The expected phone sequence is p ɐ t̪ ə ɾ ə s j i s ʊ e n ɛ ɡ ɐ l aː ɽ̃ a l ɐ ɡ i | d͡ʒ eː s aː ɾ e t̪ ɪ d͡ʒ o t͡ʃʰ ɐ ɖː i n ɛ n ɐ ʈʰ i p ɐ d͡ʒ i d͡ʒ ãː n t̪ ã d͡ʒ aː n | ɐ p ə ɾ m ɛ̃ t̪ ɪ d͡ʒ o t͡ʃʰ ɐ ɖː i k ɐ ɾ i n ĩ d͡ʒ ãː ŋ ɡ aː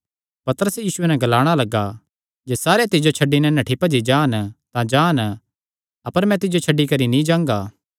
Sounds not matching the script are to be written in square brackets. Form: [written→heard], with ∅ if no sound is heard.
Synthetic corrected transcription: p ɐ t̪ ə ɾ ə s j [i→iː] s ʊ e n ɛ ɡ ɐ l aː ɽ̃ a l ɐ ɡ [i→a] | d͡ʒ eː s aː ɾ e t̪ ɪ d͡ʒ o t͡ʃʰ ɐ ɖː i n ɛ n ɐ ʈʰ i p ɐ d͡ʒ i d͡ʒ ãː n t̪ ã d͡ʒ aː n | ɐ p ə ɾ m ɛ̃ t̪ ɪ d͡ʒ o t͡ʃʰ ɐ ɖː i k ɐ ɾ i n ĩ d͡ʒ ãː ŋ ɡ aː